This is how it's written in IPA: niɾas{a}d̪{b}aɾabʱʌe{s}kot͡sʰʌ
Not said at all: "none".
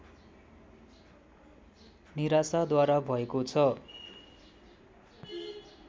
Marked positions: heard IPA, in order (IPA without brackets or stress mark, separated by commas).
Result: a, w, none